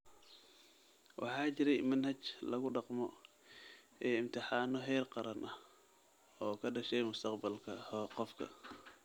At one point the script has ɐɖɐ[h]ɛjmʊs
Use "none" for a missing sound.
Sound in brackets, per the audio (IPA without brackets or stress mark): ʃ